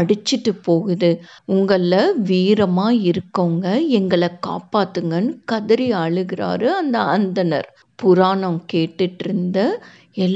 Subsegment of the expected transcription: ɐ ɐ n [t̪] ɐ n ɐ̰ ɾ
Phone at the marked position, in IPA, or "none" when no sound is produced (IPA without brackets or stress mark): d̪